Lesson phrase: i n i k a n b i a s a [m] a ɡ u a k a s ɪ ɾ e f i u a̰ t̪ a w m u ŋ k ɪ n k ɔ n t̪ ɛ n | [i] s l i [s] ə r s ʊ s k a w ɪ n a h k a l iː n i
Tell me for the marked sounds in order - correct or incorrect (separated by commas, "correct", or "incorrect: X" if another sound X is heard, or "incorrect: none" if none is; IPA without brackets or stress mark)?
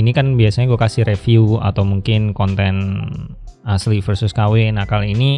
incorrect: ɲ, incorrect: a, incorrect: f